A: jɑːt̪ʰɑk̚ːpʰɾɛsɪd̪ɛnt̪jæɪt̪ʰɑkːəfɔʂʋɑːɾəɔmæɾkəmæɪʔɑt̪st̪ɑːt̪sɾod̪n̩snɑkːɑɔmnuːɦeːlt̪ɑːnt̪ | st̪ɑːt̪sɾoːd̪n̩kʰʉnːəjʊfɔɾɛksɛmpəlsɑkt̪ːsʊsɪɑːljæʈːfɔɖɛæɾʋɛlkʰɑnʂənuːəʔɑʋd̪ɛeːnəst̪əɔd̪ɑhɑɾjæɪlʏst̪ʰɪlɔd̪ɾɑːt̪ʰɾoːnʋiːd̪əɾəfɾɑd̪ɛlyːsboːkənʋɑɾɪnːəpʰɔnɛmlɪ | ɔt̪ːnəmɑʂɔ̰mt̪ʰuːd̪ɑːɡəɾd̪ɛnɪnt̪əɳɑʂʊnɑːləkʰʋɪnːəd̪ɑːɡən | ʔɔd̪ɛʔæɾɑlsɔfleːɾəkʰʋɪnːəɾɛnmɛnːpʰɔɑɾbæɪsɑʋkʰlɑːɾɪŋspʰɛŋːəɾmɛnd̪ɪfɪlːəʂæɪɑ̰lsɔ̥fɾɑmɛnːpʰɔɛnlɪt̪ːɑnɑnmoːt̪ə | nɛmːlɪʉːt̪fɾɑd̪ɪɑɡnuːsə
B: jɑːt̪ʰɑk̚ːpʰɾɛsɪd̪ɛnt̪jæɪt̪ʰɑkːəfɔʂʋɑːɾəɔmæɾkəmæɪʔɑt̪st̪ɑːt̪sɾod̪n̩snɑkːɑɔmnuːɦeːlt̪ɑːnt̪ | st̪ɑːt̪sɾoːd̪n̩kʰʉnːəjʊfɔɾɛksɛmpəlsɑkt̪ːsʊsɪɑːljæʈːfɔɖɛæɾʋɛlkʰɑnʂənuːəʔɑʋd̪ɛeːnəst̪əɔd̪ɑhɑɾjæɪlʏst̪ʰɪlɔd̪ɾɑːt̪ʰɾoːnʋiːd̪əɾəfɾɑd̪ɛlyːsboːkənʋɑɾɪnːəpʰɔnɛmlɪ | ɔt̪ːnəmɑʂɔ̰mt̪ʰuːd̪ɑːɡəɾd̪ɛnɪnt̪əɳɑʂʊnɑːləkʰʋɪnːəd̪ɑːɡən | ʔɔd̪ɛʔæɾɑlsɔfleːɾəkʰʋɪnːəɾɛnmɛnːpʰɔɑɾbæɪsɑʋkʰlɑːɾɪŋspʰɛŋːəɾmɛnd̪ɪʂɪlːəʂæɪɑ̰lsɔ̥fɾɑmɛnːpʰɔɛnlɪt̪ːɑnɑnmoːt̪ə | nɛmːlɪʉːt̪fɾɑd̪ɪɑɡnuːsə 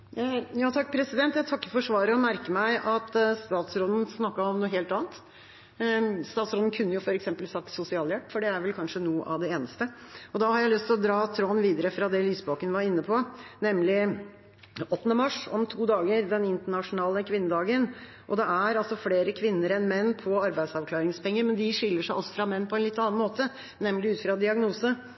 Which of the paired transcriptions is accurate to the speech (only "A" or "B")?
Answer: B